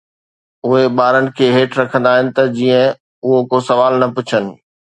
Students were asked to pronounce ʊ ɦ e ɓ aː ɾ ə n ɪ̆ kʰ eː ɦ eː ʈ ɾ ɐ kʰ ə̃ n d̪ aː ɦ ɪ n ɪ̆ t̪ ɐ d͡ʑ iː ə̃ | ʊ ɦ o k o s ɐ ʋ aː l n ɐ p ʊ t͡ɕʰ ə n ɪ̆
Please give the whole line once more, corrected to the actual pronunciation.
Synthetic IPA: ʊ ɦ e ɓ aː ɾ ə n ɪ̆ kʰ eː ɦ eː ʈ ɾ ɐ kʰ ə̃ n d̪ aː ɦ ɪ n ɪ̆ t̪ ɐ d͡ʑ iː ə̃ | ʊ ɦ o k o s ɐ ʋ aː l n ɐ p ʊ t͡ɕʰ ə n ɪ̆